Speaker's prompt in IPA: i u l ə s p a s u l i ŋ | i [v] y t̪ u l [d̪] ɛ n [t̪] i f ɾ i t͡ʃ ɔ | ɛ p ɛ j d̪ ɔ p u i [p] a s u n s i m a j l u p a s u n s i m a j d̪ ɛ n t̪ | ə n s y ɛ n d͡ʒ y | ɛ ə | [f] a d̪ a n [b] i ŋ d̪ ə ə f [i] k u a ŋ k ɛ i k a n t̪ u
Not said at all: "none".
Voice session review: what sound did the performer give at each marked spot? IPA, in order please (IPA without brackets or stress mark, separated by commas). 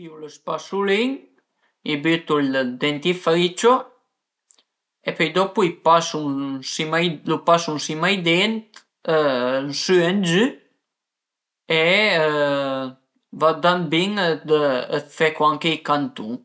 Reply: b, d̪, t̪, p, v, b, ɛ